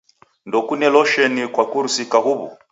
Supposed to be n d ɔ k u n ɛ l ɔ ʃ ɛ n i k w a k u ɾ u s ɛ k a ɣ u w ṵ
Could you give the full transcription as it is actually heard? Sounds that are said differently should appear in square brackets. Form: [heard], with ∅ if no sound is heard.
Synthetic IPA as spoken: n d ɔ k u n ɛ l ɔ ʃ ɛ n i k w a k u ɾ u s [i] k a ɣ u [β] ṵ